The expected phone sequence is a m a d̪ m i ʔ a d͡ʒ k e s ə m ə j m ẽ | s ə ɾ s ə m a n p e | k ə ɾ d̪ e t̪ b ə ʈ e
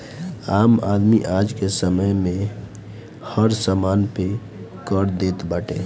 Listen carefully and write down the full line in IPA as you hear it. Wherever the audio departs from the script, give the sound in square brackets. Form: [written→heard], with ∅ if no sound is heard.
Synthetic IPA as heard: a m a d̪ m i ʔ a d͡ʒ k e s ə m ə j m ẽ | [s→h] ə ɾ s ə m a n p e | k ə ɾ d̪ e t̪ b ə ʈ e